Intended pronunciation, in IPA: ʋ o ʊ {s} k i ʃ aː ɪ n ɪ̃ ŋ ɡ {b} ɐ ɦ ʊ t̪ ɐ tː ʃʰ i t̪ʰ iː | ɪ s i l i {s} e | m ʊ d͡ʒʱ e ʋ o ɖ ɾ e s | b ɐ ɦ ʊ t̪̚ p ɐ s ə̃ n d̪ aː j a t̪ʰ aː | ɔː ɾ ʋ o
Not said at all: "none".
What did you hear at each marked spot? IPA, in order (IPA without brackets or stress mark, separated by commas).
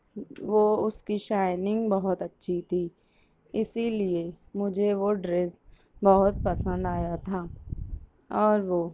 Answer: s, b, none